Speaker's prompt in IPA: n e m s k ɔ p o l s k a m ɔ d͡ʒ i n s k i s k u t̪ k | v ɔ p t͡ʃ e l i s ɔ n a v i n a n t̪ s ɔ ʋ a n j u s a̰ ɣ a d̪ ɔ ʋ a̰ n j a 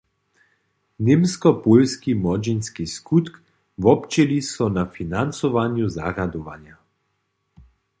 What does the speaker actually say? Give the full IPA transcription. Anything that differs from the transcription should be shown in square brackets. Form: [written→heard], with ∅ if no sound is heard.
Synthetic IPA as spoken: n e m s k ɔ p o l s k [a→i] m ɔ d͡ʒ i n s k i s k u t̪ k | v ɔ p t͡ʃ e l i s ɔ n a [v→f] i n a n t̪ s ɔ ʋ a n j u [s→z] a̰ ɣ a d̪ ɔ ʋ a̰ n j a